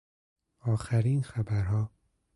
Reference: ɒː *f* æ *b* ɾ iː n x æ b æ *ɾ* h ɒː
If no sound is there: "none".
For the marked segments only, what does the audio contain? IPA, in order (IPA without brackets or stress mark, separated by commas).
x, none, ɾ